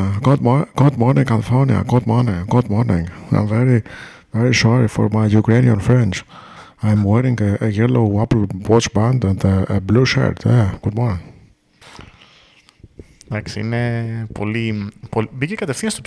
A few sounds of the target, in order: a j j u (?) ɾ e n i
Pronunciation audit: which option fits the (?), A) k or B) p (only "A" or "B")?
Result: A